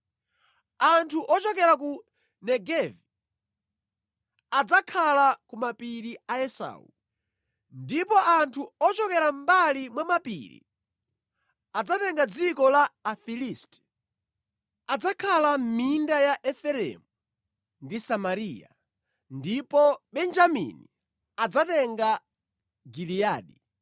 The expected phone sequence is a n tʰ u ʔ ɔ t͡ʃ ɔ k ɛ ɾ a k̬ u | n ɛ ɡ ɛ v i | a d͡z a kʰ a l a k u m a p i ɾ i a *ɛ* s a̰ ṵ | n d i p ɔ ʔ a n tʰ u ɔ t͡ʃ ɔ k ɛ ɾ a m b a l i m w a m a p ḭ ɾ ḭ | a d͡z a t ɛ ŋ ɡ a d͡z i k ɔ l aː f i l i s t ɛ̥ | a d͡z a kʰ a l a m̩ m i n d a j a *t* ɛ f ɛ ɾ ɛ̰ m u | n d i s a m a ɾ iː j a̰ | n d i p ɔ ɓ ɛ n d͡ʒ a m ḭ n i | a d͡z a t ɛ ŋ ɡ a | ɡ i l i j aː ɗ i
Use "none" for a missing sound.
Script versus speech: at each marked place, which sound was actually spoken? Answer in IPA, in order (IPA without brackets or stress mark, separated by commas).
ɛ, ʔ